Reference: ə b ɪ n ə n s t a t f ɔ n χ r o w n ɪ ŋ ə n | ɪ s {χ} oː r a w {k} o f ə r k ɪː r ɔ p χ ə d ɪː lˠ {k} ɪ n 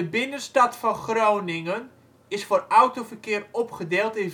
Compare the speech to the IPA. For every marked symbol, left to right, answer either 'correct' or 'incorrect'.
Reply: incorrect, incorrect, incorrect

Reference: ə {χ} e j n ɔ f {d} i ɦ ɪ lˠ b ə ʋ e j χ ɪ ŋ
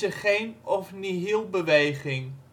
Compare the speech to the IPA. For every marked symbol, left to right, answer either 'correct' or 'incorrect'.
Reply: correct, incorrect

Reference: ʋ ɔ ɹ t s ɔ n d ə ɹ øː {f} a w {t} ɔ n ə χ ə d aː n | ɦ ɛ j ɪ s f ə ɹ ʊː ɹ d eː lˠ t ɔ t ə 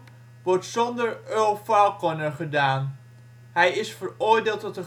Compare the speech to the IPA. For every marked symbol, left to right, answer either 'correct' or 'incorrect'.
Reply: correct, incorrect

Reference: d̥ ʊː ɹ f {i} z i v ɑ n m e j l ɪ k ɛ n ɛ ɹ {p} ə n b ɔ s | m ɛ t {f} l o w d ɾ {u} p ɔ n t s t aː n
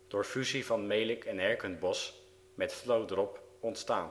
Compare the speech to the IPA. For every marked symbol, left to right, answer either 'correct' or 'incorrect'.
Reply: incorrect, incorrect, correct, incorrect

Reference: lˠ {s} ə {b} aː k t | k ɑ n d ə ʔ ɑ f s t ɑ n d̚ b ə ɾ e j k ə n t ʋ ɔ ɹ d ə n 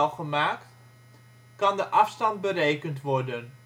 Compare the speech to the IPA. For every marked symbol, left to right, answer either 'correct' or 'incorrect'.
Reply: incorrect, incorrect

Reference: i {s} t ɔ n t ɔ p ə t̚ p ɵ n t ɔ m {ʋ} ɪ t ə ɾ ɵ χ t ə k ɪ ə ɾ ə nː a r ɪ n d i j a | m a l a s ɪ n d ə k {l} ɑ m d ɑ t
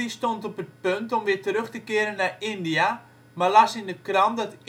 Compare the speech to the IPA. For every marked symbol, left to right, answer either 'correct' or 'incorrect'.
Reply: correct, correct, incorrect

